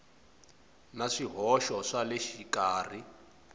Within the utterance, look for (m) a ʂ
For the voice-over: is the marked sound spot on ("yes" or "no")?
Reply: no